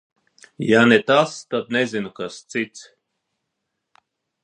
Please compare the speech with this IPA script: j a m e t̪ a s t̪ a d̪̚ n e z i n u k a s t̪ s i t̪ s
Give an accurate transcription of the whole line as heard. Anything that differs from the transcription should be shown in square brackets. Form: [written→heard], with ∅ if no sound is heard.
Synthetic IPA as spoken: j a [m→n] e t̪ a s t̪ a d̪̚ n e z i n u k a s t̪ s i t̪ s